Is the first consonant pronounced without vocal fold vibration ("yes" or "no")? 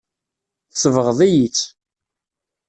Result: yes